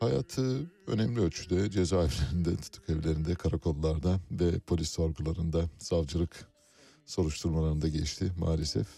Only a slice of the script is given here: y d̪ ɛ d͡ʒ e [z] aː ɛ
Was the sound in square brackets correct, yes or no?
yes